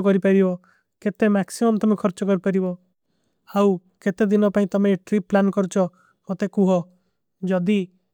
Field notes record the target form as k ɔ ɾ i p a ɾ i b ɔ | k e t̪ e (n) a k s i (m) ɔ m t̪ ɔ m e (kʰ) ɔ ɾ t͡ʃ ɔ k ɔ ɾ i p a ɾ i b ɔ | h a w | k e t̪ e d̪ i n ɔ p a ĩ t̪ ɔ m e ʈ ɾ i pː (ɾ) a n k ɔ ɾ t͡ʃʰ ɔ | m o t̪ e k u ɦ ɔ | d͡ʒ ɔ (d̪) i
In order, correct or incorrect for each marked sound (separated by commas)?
incorrect, correct, correct, incorrect, correct